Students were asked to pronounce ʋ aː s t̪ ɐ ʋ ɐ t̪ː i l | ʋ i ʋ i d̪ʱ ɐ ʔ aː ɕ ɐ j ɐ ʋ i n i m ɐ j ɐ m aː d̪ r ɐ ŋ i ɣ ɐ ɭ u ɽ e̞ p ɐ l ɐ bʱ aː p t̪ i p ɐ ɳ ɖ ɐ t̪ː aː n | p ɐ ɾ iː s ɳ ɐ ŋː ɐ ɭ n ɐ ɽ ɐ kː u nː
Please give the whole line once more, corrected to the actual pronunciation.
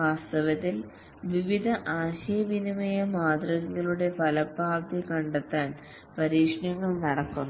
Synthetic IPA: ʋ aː s t̪ ɐ ʋ ɐ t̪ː i l | ʋ i ʋ i d̪ʱ ɐ ʔ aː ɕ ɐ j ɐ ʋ i n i m ɐ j ɐ m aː d̪ r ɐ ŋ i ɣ ɐ ɭ u ɽ e̞ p ɐ l ɐ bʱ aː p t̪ i k ɐ ɳ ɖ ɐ t̪ː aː n | p ɐ ɾ iː ʂ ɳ ɐ ŋː ɐ ɭ n ɐ ɽ ɐ kː u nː